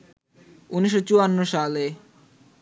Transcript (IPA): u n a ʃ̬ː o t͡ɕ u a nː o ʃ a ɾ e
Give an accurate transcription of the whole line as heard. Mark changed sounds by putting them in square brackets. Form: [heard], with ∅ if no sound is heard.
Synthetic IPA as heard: u n [i] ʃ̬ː o t͡ɕ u a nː o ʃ a [l] e